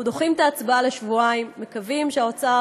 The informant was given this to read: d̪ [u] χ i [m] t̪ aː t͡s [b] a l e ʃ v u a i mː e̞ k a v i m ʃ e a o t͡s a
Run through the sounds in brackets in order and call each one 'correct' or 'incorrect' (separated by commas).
incorrect, correct, correct